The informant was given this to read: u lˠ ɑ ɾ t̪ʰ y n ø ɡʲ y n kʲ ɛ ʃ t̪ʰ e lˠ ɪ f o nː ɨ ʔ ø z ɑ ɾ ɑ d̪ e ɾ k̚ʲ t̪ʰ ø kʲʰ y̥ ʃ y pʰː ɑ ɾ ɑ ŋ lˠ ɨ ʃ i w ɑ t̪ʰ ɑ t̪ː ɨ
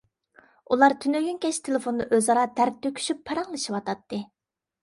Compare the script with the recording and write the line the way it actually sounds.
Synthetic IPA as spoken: u lˠ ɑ ɾ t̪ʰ y n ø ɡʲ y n kʲ ɛ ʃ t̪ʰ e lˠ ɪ f o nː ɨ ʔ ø z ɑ ɾ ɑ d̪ æ ɾ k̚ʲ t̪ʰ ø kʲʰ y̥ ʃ y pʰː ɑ ɾ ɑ ŋ lˠ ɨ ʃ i w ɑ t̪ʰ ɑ t̪ː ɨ